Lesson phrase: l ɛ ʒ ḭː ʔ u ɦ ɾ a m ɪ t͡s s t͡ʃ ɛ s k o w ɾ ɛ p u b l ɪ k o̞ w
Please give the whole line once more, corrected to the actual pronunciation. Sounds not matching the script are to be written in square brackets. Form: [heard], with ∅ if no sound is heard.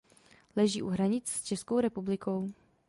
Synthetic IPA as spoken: l ɛ ʒ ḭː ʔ u ɦ ɾ a [ɲ] ɪ t͡s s t͡ʃ ɛ s k o w ɾ ɛ p u b l ɪ k o̞ w